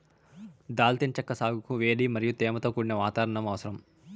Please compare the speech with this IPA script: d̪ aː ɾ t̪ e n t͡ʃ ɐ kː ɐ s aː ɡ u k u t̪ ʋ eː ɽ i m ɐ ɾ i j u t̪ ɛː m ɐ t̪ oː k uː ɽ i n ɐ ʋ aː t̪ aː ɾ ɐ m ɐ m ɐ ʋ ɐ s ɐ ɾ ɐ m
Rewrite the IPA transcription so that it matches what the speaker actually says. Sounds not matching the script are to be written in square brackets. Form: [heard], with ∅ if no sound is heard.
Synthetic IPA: d̪ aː [l] t̪ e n t͡ʃ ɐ kː ɐ s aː ɡ u k u [∅] ʋ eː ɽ i m ɐ ɾ i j u t̪ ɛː m ɐ t̪ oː k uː ɽ i n ɐ ʋ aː t̪ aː ɾ ɐ [ɳ] ɐ m ɐ ʋ ɐ s ɐ ɾ ɐ m

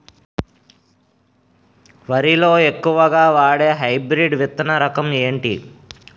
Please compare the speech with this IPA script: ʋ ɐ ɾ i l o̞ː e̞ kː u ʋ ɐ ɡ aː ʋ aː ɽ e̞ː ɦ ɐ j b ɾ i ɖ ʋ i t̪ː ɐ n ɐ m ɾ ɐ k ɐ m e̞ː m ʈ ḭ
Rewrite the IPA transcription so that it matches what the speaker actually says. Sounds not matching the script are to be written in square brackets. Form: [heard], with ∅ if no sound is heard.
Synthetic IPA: ʋ ɐ ɾ i l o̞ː e̞ kː u ʋ ɐ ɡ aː ʋ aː ɽ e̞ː ɦ ɐ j b ɾ i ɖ ʋ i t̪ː ɐ n ɐ [∅] ɾ ɐ k ɐ m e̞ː [ɳ] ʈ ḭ

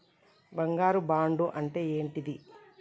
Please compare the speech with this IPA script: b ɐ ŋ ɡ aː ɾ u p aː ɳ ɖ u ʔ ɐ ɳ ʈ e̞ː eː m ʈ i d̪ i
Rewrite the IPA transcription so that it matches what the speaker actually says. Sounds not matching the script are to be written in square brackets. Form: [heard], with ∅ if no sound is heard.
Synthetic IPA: b ɐ ŋ ɡ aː ɾ u [b] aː ɳ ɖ u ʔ ɐ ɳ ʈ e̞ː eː [ɳ] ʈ i d̪ i

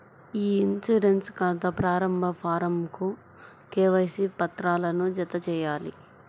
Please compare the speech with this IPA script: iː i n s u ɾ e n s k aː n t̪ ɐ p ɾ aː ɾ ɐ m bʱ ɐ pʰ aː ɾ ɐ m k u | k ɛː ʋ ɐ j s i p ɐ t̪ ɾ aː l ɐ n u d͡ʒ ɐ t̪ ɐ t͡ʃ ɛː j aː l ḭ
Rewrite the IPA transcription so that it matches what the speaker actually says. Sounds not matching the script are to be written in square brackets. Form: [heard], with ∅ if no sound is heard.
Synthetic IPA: iː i n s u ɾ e n s k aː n t̪ ɐ p ɾ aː ɾ ɐ m bʱ ɐ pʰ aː ɾ ɐ m k u | k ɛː ʋ ɐ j s i p ɐ t̪ ɾ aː l ɐ n u d͡ʒ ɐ t̪ ɐ t͡ʃ ɛː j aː l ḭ

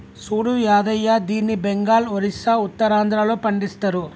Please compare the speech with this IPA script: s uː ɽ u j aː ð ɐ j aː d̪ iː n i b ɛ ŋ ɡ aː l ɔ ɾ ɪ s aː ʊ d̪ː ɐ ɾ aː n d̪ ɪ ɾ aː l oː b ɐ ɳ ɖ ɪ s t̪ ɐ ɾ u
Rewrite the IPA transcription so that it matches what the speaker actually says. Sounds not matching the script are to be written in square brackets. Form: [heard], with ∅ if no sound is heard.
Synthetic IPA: s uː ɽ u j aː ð ɐ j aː d̪ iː n i b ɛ ŋ ɡ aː l ɔ ɾ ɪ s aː ʊ [t̪ː] ɐ ɾ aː n d̪ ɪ ɾ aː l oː [p] ɐ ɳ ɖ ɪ s t̪ ɐ ɾ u

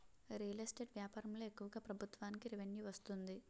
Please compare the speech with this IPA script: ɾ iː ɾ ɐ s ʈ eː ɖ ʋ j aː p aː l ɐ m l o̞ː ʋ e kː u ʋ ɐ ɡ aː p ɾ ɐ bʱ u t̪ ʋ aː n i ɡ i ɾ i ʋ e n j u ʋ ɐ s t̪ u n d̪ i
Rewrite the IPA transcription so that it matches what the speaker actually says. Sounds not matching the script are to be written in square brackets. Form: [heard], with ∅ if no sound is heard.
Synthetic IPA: ɾ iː [l] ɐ s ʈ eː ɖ ʋ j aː p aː [ɾ] ɐ m l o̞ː [∅] e kː u ʋ ɐ ɡ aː p ɾ ɐ bʱ u t̪ ʋ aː n i [k] i ɾ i ʋ e n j u ʋ ɐ s t̪ u n d̪ i

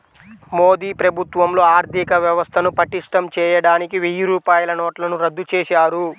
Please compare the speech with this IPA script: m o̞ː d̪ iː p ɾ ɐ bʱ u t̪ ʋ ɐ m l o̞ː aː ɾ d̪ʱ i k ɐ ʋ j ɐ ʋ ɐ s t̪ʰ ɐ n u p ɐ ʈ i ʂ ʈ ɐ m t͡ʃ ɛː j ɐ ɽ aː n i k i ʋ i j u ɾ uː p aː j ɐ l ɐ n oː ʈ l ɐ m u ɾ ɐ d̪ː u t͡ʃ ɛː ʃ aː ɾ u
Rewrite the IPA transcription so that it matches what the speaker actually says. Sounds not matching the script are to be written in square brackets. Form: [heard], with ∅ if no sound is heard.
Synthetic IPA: m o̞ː d̪ iː p ɾ ɐ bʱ u t̪ ʋ ɐ m l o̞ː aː ɾ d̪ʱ i k ɐ ʋ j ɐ ʋ ɐ s t̪ʰ ɐ n u p ɐ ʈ i ʂ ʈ ɐ m t͡ʃ ɛː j ɐ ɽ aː n i k i ʋ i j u ɾ uː p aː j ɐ l ɐ n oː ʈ l ɐ [n] u ɾ ɐ d̪ː u t͡ʃ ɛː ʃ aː ɾ u

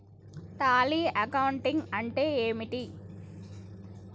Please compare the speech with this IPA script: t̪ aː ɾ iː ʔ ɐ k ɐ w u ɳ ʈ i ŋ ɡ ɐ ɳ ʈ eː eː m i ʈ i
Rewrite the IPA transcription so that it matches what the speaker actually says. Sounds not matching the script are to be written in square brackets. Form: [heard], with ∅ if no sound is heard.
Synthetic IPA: t̪ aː [l] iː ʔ ɐ k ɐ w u ɳ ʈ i ŋ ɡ ɐ ɳ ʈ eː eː m i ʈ i

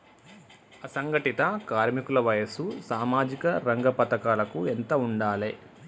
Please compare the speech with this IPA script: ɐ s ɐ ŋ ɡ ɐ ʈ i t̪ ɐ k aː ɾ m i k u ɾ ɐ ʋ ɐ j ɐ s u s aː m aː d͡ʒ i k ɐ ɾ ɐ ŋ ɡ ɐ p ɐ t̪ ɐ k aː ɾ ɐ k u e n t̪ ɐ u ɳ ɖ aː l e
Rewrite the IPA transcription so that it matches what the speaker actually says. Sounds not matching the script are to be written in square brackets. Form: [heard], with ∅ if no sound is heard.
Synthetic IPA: ɐ s ɐ ŋ ɡ ɐ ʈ i t̪ ɐ k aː ɾ m i k u [l] ɐ ʋ ɐ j ɐ s u s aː m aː d͡ʒ i k ɐ ɾ ɐ ŋ ɡ ɐ p ɐ t̪ ɐ k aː [l] ɐ k u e n t̪ ɐ u ɳ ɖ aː l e

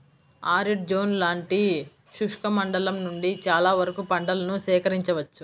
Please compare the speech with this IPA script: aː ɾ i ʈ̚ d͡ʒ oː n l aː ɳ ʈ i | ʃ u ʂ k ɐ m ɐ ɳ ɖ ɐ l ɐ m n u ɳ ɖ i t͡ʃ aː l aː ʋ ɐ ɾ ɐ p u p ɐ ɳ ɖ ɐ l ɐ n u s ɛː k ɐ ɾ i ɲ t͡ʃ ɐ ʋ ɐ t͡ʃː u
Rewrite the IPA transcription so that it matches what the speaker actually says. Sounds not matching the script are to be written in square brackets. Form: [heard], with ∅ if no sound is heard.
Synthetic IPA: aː ɾ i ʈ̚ d͡ʒ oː n l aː ɳ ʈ i | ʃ u ʂ k ɐ m ɐ ɳ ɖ ɐ l ɐ m n u ɳ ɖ i t͡ʃ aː l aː ʋ ɐ ɾ ɐ [k] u p ɐ ɳ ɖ ɐ l ɐ n u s ɛː k ɐ ɾ i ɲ t͡ʃ ɐ ʋ ɐ t͡ʃː u

